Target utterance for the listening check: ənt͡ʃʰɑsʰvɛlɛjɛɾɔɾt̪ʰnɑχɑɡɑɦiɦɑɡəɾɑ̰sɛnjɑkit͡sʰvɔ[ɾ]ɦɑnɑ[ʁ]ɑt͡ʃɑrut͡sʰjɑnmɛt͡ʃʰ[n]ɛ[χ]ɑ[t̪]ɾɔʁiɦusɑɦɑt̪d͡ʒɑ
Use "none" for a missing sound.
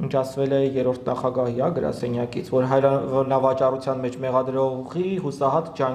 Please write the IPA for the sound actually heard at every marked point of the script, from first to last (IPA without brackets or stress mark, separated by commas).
ɾ, v, m, ʁ, d̪